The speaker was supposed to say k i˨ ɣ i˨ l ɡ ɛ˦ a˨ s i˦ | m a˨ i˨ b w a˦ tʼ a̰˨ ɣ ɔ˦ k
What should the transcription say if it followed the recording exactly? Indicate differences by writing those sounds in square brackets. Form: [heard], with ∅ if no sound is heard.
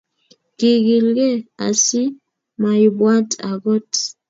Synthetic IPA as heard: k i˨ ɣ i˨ l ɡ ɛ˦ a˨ s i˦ | m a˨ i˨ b w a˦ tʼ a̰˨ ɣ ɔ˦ [t]